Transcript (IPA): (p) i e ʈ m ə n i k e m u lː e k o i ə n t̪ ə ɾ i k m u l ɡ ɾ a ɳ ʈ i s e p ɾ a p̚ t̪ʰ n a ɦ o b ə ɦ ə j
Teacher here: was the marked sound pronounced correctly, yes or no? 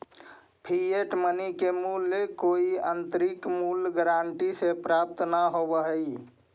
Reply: no